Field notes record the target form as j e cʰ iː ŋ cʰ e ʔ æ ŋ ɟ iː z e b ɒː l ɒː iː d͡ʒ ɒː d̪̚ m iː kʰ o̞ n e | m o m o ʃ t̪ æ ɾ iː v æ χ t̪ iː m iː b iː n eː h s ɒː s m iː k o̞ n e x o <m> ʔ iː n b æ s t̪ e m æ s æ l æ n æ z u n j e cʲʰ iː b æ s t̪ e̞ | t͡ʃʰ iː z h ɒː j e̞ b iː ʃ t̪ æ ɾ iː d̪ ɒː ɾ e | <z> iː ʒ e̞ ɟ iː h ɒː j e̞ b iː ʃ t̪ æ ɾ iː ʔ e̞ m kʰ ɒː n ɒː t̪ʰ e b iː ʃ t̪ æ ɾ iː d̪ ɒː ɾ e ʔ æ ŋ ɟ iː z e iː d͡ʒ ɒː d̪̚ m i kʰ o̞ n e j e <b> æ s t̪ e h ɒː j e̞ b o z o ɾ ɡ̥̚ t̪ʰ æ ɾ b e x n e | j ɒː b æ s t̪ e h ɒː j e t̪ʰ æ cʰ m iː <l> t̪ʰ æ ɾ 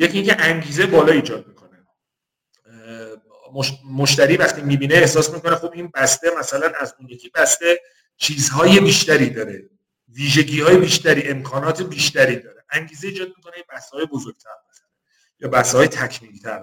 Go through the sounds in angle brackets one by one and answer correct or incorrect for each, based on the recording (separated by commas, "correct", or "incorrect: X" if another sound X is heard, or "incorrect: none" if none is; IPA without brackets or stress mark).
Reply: incorrect: b, incorrect: v, correct, correct